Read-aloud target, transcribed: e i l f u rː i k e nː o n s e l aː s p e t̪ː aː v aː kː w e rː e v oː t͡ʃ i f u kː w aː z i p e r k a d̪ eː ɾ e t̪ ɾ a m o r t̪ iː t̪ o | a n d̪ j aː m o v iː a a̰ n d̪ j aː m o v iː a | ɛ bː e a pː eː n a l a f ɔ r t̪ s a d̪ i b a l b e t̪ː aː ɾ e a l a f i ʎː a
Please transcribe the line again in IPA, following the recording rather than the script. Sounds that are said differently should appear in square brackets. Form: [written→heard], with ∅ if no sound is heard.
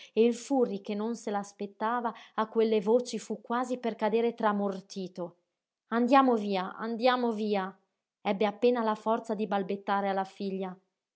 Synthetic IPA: e i l f u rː i k e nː o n s e l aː s p e t̪ː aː v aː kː w e [rː→lː] e v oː t͡ʃ i f u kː w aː z i p e r k a d̪ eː ɾ e t̪ ɾ a m o r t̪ iː t̪ o | a n d̪ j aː m o v iː a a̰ n d̪ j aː m o v iː a | ɛ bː e a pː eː n a l a f ɔ r t̪ s a d̪ i b a l b e t̪ː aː ɾ e a l a f i ʎː a